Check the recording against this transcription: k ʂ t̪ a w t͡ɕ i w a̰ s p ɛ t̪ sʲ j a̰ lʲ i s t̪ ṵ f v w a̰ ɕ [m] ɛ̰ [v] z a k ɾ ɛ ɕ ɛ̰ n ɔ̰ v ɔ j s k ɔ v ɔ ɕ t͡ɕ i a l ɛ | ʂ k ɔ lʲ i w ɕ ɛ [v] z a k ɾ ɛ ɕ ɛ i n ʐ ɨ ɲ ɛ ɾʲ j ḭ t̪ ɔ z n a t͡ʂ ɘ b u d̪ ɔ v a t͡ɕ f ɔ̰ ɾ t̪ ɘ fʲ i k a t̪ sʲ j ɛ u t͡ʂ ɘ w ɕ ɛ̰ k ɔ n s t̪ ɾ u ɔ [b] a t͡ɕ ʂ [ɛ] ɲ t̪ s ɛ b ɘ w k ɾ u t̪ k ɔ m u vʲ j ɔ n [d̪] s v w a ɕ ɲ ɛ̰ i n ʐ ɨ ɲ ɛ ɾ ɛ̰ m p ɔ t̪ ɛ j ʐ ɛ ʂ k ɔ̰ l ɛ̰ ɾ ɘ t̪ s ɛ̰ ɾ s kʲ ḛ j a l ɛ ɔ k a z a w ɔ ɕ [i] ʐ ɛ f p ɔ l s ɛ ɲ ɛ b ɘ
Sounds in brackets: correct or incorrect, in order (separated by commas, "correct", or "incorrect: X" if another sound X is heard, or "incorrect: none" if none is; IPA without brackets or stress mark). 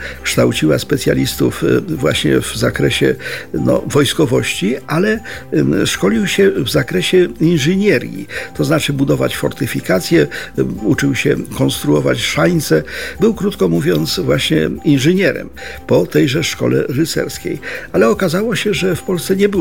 incorrect: ɲ, correct, correct, incorrect: v, incorrect: a, incorrect: t̪, incorrect: ɛ